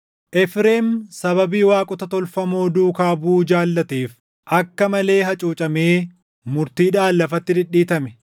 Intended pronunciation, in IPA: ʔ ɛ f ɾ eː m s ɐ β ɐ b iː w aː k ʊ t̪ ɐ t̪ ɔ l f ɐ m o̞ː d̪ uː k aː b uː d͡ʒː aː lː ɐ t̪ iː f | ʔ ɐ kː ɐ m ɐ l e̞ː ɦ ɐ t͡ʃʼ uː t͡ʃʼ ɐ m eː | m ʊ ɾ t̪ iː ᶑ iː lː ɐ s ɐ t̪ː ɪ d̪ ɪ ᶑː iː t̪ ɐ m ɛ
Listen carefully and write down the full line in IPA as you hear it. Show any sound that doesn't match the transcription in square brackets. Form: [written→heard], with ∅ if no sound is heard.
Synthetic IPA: ʔ ɛ f ɾ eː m s ɐ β ɐ b iː w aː [k→kʼ] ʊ t̪ ɐ t̪ ɔ l f ɐ m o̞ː d̪ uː k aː b uː [d͡ʒː→d͡ʒ] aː lː ɐ t̪ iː f | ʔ ɐ kː ɐ m ɐ l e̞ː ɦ ɐ t͡ʃʼ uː t͡ʃʼ ɐ m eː | m ʊ ɾ t̪ iː ᶑ [iː→aː] lː ɐ [s→f] ɐ t̪ː ɪ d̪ ɪ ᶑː iː t̪ ɐ m ɛ

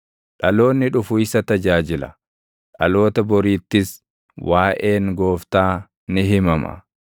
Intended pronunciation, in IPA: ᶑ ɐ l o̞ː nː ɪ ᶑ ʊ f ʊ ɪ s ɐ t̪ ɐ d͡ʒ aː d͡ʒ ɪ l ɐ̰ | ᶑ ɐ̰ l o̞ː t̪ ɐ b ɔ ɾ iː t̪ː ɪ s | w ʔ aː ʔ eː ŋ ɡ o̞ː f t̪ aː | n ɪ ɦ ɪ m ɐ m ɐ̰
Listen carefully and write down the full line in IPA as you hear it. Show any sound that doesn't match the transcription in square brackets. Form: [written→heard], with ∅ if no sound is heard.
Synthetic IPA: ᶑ ɐ l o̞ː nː ɪ ᶑ ʊ f ʊ ɪ s ɐ t̪ ɐ d͡ʒ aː d͡ʒ ɪ l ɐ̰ | ᶑ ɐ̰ l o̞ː t̪ ɐ b ɔ ɾ iː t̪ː ɪ s | w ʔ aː ʔ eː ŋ ɡ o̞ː f t̪ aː | n ɪ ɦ ɪ m ɐ m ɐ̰

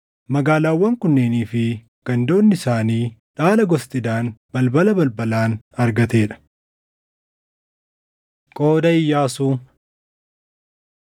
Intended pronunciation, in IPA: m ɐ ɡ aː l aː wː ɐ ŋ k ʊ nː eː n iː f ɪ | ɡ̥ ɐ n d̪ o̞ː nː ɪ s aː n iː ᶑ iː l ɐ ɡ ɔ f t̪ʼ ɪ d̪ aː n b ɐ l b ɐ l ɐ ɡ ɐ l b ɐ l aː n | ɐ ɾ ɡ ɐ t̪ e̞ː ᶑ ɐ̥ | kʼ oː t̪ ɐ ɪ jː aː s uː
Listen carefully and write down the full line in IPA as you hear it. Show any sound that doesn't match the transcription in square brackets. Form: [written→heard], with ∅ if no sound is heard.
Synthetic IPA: m ɐ ɡ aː l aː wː ɐ ŋ k ʊ nː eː n iː f ɪ | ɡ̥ ɐ n d̪ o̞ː nː ɪ s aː n iː ᶑ [iː→aː] l ɐ ɡ ɔ [f→s] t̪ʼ ɪ d̪ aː n b ɐ l b ɐ l ɐ [ɡ→b] ɐ l b ɐ l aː n | ɐ ɾ ɡ ɐ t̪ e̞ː ᶑ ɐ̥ | kʼ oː [t̪→d̪] ɐ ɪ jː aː s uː

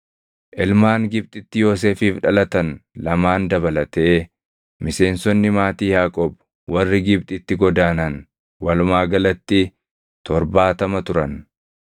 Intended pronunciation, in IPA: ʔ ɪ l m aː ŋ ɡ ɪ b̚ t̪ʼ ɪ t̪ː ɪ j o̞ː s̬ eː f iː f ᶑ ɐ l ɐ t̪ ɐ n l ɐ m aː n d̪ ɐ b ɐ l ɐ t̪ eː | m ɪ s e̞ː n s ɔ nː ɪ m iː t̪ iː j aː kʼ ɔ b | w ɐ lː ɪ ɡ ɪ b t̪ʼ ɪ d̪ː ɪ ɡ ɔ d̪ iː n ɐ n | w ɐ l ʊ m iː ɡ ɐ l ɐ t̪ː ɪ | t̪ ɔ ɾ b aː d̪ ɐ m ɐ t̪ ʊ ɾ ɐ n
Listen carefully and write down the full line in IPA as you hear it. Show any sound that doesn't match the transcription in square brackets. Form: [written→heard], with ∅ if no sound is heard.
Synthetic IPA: ʔ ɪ l m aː ŋ ɡ ɪ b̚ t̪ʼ ɪ t̪ː ɪ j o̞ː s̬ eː f iː f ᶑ ɐ l ɐ t̪ ɐ n l ɐ m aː n d̪ ɐ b ɐ l ɐ t̪ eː | m ɪ s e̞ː n s ɔ nː ɪ m [iː→aː] t̪ iː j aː kʼ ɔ b | w ɐ [lː→rː] ɪ ɡ ɪ b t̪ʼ ɪ [d̪ː→t̪ː] ɪ ɡ ɔ d̪ [iː→aː] n ɐ n | w ɐ l ʊ m [iː→aː] ɡ ɐ l ɐ t̪ː ɪ | t̪ ɔ ɾ b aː [d̪→t̪] ɐ m ɐ t̪ ʊ ɾ ɐ n

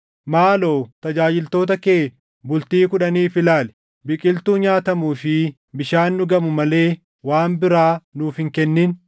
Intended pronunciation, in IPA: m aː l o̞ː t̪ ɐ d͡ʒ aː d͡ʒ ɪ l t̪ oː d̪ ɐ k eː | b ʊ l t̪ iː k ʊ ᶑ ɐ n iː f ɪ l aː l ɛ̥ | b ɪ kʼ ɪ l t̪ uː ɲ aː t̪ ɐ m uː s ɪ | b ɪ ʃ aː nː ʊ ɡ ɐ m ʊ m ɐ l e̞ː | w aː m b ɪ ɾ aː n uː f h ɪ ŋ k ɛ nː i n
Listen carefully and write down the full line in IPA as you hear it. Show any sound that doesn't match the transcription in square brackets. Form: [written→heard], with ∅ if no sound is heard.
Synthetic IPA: m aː l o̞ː t̪ ɐ d͡ʒ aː d͡ʒ ɪ l t̪ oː [d̪→t̪] ɐ k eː | b ʊ l t̪ iː k ʊ ᶑ ɐ n iː f ɪ l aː l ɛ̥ | b ɪ kʼ ɪ l t̪ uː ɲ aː t̪ ɐ m uː [s→f] ɪ | b ɪ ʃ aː nː ʊ ɡ ɐ m ʊ m ɐ l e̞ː | w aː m b ɪ ɾ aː n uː f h ɪ ŋ k ɛ nː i n

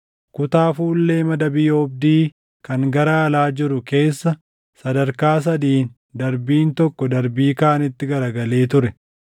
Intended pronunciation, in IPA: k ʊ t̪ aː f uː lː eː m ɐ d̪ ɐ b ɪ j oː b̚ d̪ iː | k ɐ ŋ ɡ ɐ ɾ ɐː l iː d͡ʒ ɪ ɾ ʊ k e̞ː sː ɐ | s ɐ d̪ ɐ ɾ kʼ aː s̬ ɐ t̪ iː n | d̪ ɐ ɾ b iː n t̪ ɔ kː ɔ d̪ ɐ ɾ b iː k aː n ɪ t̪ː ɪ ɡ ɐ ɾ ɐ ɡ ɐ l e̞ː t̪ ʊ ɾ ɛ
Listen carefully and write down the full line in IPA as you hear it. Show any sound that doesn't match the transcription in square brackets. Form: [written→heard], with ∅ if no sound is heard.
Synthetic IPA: k ʊ t̪ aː f uː lː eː m ɐ d̪ ɐ b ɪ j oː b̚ d̪ iː | k ɐ ŋ ɡ ɐ ɾ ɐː l [iː→aː] d͡ʒ ɪ ɾ ʊ k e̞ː sː ɐ | s ɐ d̪ ɐ ɾ [kʼ→k] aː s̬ ɐ [t̪→d̪] iː n | d̪ ɐ ɾ b iː n t̪ ɔ kː ɔ d̪ ɐ ɾ b iː k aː n ɪ t̪ː ɪ ɡ ɐ ɾ ɐ ɡ ɐ l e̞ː t̪ ʊ ɾ ɛ

